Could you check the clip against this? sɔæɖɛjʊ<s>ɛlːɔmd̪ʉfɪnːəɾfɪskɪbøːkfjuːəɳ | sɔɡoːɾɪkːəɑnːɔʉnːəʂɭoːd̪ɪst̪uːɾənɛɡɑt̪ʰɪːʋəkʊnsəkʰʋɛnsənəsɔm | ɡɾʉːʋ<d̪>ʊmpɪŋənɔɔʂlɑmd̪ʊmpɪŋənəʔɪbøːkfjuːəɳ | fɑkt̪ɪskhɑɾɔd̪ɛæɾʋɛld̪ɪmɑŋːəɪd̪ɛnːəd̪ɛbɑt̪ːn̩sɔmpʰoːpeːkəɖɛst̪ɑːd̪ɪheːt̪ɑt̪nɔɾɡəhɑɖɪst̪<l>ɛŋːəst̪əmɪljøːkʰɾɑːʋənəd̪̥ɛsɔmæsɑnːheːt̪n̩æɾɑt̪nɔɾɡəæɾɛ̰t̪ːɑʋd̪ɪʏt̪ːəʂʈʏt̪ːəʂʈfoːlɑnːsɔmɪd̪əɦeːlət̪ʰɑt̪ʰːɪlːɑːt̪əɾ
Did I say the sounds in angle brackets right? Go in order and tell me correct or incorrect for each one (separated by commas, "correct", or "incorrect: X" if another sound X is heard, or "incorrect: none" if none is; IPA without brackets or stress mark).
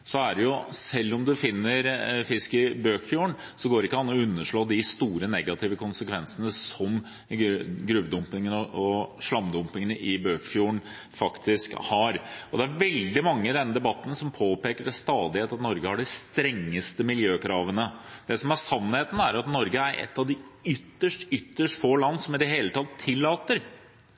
correct, correct, incorrect: ɾ